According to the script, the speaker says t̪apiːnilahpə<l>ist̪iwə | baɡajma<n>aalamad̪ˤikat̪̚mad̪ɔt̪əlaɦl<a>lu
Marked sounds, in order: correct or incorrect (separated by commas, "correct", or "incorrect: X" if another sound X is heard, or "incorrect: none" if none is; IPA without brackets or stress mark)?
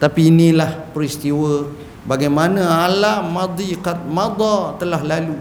incorrect: ɾ, correct, correct